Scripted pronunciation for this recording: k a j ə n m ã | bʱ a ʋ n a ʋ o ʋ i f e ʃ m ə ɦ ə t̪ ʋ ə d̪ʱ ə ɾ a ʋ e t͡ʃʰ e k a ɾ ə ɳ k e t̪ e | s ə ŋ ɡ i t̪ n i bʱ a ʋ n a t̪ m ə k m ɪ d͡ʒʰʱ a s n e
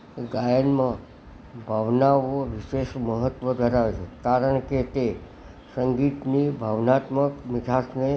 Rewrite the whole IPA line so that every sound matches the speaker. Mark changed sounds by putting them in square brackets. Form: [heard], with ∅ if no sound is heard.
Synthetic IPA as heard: [ɡ] a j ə n m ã | bʱ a ʋ n a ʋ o ʋ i [ʃ] e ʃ m ə ɦ ə t̪ ʋ ə d̪ʱ ə ɾ a ʋ e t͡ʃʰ e k a ɾ ə ɳ k e t̪ e | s ə ŋ ɡ i t̪ n i bʱ a ʋ n a t̪ m ə k m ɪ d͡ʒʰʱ a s n e

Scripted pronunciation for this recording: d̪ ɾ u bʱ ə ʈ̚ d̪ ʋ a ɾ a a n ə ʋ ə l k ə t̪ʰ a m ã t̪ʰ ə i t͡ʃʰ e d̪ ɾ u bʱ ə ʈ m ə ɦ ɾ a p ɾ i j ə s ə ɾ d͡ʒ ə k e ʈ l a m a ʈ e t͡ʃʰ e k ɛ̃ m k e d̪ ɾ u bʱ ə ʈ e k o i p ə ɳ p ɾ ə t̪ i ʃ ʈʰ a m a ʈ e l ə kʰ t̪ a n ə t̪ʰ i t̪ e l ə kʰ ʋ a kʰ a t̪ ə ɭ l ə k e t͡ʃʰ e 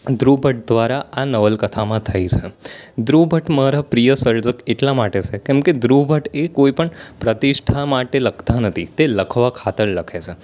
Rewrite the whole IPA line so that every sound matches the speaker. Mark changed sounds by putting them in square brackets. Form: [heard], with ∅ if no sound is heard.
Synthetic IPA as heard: d̪ ɾ u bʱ ə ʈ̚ d̪ ʋ a ɾ a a n ə ʋ ə l k ə t̪ʰ a m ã t̪ʰ ə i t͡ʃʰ e d̪ ɾ u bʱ ə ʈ m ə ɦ ɾ a p ɾ i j ə s ə ɾ d͡ʒ ə k e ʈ l a m a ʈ e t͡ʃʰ e k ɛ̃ m k e d̪ ɾ u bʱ ə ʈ e k o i p ə ɳ p ɾ ə t̪ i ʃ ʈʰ a m a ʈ e l ə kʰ t̪ a n ə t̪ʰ i t̪ e l ə kʰ ʋ a kʰ a t̪ ə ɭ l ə [kʰ] e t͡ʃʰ e

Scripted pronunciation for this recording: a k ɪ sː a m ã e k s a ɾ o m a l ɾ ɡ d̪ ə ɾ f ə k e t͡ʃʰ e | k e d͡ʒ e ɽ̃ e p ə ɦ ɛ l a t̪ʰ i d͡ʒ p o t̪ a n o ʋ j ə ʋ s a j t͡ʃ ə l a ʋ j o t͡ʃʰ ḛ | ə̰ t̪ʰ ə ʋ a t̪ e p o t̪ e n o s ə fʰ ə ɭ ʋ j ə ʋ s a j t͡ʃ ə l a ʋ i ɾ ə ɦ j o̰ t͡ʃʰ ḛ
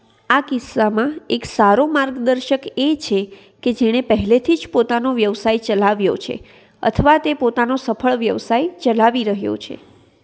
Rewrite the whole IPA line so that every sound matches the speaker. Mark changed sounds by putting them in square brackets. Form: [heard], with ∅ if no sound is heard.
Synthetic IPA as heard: a k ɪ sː a m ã e k s a ɾ o m a [∅] ɾ ɡ d̪ ə ɾ [ʃ] ə k e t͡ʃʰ e | k e d͡ʒ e ɽ̃ e p ə ɦ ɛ l [e] t̪ʰ i d͡ʒ p o t̪ a n o ʋ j ə ʋ s a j t͡ʃ ə l a ʋ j o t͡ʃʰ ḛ | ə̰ t̪ʰ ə ʋ a t̪ e p o t̪ [a] n o s ə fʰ ə ɭ ʋ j ə ʋ s a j t͡ʃ ə l a ʋ i ɾ ə ɦ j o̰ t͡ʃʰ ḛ

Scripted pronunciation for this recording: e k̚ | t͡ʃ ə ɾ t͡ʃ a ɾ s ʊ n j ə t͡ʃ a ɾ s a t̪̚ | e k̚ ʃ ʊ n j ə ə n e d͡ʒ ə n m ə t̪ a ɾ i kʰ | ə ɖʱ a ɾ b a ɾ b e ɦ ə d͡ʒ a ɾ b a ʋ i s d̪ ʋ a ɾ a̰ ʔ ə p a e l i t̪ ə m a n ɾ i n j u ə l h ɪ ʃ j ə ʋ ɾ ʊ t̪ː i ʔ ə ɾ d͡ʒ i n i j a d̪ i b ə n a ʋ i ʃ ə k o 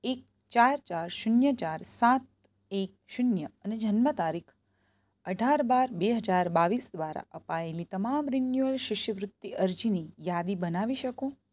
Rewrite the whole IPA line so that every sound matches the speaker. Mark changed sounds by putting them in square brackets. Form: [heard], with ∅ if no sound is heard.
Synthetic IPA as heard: e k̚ | t͡ʃ [a] ɾ t͡ʃ a ɾ [ʃ] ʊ n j ə t͡ʃ a ɾ s a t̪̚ | e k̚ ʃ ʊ n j ə ə n e d͡ʒ ə n m ə t̪ a ɾ i kʰ | ə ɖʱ a ɾ b a ɾ b e ɦ ə d͡ʒ a ɾ b a ʋ i s d̪ ʋ a ɾ a̰ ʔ ə p a e l i t̪ ə m a [m] ɾ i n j u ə l [ʃ] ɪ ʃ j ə ʋ ɾ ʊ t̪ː i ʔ ə ɾ d͡ʒ i n i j a d̪ i b ə n a ʋ i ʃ ə k o

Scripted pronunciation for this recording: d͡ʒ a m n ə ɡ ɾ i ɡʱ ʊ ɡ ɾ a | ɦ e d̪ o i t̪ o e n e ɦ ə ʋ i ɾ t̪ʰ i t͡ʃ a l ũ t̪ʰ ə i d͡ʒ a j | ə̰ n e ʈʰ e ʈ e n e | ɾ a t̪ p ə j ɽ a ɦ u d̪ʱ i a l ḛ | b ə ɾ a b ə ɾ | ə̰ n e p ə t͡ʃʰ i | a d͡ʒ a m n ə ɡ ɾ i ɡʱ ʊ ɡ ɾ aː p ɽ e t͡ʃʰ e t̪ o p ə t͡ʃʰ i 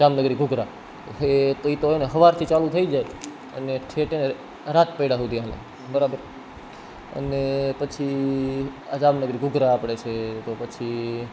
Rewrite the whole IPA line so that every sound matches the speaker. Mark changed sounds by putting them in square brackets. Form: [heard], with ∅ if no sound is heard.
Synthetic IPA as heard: d͡ʒ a m n ə ɡ ɾ i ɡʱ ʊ ɡ ɾ a | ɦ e [t̪] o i t̪ o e n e ɦ ə ʋ [a] ɾ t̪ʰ i t͡ʃ a l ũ t̪ʰ ə i d͡ʒ a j | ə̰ n e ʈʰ e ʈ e n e | ɾ a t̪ p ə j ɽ a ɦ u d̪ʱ i a l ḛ | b ə ɾ a b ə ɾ | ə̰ n e p ə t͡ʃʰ i | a d͡ʒ a m n ə ɡ ɾ i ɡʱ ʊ ɡ ɾ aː p ɽ e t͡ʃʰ e t̪ o p ə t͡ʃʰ i

